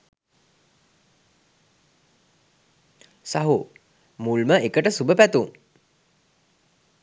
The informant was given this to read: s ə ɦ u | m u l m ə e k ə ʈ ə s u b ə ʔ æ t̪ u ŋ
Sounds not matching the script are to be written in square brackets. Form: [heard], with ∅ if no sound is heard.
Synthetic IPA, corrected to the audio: s [a] ɦ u | m u l m ə e k ə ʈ ə s u b ə [p] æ t̪ u ŋ